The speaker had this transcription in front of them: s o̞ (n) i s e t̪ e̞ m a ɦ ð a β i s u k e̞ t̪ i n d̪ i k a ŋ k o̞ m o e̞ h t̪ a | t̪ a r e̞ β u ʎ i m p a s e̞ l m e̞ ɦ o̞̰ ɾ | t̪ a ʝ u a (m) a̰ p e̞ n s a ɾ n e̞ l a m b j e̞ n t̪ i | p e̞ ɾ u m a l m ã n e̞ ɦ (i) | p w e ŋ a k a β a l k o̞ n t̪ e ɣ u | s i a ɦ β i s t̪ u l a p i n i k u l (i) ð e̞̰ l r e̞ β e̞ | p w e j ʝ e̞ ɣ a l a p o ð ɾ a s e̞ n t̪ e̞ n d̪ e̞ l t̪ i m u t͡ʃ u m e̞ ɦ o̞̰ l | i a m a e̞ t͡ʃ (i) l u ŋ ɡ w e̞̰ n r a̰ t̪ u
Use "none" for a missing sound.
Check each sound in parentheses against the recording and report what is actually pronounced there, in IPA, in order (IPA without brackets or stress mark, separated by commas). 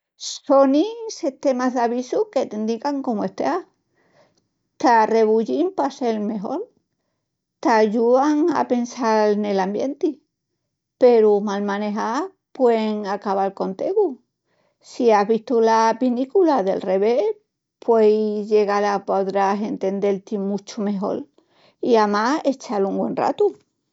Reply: n, ŋ, a, a, a